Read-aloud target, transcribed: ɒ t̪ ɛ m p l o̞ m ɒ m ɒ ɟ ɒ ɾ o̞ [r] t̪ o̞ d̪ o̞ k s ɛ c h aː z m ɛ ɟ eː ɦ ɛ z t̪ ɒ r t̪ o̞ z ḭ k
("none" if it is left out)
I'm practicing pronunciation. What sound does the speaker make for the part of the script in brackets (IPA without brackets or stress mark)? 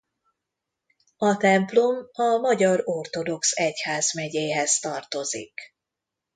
r